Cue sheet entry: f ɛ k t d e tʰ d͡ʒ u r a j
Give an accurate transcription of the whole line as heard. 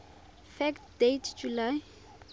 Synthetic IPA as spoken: f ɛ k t d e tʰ d͡ʒ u l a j